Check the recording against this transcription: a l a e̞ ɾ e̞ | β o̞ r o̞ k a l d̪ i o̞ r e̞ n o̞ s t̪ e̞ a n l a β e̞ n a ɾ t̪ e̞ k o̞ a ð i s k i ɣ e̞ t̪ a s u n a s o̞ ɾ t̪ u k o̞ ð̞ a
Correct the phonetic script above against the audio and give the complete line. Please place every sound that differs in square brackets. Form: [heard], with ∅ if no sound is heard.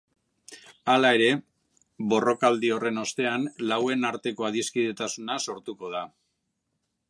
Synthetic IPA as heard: a l a e̞ ɾ e̞ | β o̞ r o̞ k a l d̪ i o̞ r e̞ n o̞ s t̪ e̞ a n l a [w] e̞ n a ɾ t̪ e̞ k o̞ a ð i s k i [ð] e̞ t̪ a s u n a s o̞ ɾ t̪ u k o̞ ð̞ a